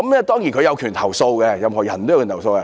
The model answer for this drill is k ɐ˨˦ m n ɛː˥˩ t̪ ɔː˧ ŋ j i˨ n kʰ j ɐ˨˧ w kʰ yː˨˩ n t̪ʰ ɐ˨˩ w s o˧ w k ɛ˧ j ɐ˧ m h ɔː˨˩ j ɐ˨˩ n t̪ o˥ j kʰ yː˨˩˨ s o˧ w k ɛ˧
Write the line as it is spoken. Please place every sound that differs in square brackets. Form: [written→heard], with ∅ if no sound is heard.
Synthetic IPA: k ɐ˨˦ m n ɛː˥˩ t̪ [ɔː˧→ɔː˥] ŋ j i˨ n kʰ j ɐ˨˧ w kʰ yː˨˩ n t̪ʰ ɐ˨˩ w s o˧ w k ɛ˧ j ɐ˧ m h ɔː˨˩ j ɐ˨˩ n t̪ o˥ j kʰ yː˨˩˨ s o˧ w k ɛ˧

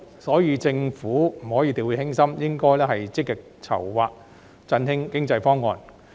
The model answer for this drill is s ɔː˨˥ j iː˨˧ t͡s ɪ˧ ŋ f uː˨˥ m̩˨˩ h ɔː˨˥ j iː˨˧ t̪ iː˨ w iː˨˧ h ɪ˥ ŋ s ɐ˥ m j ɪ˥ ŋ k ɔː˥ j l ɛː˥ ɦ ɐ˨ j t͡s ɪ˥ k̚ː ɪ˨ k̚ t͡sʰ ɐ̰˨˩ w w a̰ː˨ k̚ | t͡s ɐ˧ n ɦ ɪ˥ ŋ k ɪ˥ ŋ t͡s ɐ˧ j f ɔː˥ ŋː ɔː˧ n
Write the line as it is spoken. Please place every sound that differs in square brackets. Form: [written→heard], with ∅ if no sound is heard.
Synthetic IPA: s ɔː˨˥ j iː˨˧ t͡s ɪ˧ ŋ f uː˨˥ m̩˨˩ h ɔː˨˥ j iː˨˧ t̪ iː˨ w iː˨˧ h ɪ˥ ŋ s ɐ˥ m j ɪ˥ ŋ k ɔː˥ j l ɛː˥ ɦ ɐ˨ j t͡s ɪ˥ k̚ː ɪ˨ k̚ t͡sʰ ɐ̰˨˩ w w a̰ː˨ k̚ | t͡s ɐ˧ n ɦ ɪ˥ ŋ k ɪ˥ ŋ t͡s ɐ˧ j f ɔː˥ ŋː ɔː˧ n

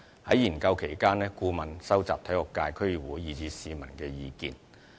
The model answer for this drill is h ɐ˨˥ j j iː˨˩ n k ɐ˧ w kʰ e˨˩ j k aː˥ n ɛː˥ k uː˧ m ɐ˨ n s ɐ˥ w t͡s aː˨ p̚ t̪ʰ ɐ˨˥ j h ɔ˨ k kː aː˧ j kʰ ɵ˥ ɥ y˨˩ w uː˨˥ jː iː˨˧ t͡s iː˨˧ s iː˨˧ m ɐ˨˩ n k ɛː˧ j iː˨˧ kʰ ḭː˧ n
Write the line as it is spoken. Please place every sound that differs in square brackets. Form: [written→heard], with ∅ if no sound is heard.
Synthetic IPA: h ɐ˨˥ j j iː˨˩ n k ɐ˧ w kʰ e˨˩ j k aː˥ n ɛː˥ k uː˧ m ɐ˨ n s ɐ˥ w t͡s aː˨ p̚ t̪ʰ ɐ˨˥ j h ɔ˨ k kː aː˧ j kʰ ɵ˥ ɥ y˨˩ w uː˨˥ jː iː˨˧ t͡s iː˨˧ s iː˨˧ m ɐ˨˩ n k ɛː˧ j iː˨˧ [kʰ→k] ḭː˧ n

